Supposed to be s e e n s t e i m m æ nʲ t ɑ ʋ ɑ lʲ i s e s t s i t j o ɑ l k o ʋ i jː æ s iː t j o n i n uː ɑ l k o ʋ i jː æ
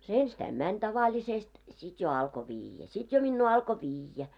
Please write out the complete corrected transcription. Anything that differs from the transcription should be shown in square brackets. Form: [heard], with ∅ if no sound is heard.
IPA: s e e n s t [æ] i m m æ nʲ t ɑ ʋ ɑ lʲ i s e s t s i t j o ɑ l k o ʋ [iː] jː æ s [i] t j o [m] i [nː] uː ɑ l k o ʋ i jː æ